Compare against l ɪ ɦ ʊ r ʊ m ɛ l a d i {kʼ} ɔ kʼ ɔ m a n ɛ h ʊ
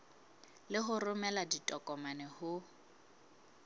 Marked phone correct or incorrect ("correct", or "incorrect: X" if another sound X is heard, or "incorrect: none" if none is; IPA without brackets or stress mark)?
incorrect: tʼ